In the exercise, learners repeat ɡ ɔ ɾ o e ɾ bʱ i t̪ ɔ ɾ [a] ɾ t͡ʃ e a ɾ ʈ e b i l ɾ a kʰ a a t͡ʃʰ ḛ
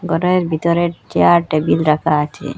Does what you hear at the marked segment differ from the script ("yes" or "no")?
yes